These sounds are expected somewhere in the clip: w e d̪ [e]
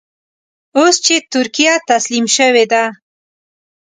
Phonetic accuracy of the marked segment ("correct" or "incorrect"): incorrect